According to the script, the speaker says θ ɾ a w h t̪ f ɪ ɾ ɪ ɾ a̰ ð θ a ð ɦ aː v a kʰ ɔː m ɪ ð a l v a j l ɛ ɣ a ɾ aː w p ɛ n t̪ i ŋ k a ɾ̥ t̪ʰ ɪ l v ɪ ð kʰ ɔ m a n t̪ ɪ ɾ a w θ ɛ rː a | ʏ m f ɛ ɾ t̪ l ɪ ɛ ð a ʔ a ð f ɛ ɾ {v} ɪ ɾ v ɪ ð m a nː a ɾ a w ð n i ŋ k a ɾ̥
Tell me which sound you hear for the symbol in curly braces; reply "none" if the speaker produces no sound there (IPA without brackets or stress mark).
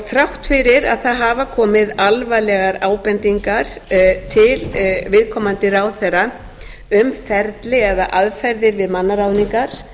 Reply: ð